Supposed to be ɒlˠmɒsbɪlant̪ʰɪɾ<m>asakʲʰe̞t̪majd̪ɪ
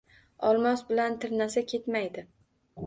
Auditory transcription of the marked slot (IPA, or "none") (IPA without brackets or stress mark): n